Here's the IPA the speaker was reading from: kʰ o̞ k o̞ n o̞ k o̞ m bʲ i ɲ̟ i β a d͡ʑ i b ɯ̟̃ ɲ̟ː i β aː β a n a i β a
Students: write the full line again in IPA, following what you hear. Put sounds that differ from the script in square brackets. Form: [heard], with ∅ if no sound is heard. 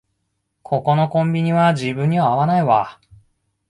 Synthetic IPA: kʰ o̞ k o̞ n o̞ k [õ̞] m bʲ i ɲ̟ i β a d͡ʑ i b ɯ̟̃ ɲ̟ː i β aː β a n a i β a